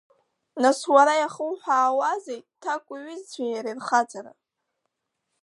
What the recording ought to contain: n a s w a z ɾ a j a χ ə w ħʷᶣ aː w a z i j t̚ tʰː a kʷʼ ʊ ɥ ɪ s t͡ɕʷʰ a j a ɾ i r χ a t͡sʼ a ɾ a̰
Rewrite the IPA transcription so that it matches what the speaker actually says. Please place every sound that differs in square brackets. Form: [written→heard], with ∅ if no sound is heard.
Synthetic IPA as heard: n a s w a [z→∅] ɾ a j a χ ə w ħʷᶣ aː w a z [i→e] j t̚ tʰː a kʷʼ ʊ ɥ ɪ [s→z] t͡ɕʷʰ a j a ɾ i r χ a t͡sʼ a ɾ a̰